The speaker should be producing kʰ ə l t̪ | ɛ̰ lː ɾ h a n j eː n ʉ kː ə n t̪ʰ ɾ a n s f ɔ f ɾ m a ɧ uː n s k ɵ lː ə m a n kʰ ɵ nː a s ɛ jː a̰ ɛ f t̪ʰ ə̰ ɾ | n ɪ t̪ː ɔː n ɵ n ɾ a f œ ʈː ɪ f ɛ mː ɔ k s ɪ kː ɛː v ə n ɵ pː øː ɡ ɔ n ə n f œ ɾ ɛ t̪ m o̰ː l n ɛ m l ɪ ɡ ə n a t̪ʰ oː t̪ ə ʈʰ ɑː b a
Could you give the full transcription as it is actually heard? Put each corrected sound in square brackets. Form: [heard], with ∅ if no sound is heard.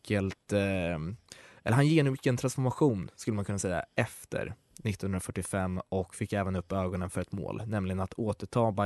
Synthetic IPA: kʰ ə l t̪ | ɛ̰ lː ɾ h a n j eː n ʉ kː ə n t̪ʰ ɾ a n s f ɔ [∅] ɾ m a ɧ uː n s k ɵ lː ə m a n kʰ ɵ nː a s ɛ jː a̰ ɛ f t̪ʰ ə̰ ɾ | n ɪ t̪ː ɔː n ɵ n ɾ a f œ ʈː ɪ f ɛ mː ɔ k [f] ɪ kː ɛː v ə n ɵ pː øː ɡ ɔ n ə n f œ ɾ ɛ t̪ m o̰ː l n ɛ m l ɪ ɡ ə n a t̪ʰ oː t̪ ə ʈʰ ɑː b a